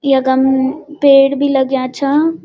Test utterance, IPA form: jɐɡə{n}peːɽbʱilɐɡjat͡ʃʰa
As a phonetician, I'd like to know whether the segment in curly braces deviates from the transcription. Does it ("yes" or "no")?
yes